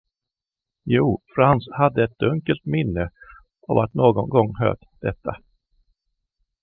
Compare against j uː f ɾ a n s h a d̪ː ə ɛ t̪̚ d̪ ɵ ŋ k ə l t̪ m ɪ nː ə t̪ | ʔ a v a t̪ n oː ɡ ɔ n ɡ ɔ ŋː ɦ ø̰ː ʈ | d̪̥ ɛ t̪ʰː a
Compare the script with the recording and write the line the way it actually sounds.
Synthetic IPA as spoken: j uː f ɾ a n s h a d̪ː ə ɛ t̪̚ d̪ ɵ ŋ k ə l t̪ m ɪ nː ə | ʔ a v a t̪ n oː ɡ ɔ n ɡ ɔ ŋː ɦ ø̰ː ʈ | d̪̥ ɛ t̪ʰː a